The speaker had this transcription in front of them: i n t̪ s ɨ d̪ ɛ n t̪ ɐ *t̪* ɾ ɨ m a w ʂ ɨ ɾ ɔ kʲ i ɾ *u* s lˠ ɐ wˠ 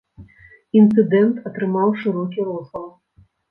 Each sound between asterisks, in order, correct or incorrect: correct, incorrect: ɔ

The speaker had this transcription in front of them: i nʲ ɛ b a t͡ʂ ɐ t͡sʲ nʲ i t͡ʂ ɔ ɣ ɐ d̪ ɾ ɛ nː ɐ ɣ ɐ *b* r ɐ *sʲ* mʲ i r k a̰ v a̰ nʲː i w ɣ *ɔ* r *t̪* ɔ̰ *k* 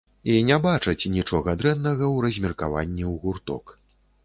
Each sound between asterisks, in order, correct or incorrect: incorrect: w, incorrect: zʲ, incorrect: u, correct, correct

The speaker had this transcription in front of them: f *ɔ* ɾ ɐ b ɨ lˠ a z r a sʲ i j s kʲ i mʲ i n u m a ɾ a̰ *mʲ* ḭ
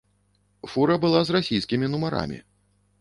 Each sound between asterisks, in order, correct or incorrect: incorrect: u, correct

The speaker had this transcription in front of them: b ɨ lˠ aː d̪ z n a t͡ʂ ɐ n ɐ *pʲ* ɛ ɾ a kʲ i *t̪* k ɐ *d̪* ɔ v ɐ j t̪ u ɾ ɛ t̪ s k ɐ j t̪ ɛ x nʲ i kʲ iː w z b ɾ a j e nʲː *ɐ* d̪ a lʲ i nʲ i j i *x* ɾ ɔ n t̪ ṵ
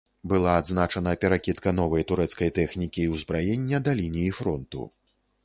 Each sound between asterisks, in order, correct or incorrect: correct, correct, incorrect: n̪, correct, incorrect: f

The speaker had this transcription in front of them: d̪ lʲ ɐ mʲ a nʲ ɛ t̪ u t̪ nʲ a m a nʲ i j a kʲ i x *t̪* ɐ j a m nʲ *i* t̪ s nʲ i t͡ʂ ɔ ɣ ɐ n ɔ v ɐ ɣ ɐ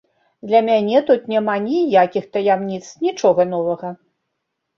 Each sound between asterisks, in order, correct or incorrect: correct, correct

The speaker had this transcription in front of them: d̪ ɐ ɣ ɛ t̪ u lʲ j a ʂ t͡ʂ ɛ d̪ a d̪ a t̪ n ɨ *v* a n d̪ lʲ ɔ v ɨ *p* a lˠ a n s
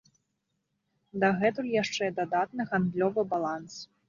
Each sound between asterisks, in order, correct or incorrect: incorrect: ɣ, incorrect: b

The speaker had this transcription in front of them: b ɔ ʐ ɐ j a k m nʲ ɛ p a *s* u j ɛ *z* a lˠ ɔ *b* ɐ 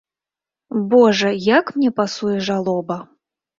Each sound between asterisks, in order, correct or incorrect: correct, incorrect: ʐ, correct

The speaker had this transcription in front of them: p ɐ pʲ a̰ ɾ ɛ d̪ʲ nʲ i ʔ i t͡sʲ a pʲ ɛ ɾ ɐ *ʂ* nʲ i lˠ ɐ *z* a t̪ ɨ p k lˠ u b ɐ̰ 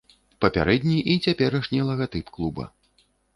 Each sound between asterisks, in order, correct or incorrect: correct, incorrect: ɣ

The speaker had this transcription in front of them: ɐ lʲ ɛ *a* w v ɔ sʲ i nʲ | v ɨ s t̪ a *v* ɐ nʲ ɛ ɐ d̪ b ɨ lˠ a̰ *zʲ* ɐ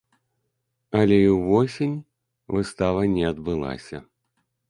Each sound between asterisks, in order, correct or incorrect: incorrect: i, correct, incorrect: sʲ

